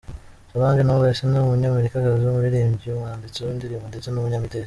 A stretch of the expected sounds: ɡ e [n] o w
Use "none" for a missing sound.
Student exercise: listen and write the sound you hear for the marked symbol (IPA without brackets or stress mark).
n